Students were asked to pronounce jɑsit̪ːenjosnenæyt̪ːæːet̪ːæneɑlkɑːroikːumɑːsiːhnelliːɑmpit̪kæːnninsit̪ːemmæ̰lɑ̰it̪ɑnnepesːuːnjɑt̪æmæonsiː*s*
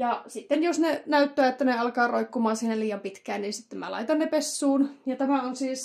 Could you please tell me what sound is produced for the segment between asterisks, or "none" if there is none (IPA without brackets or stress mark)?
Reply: s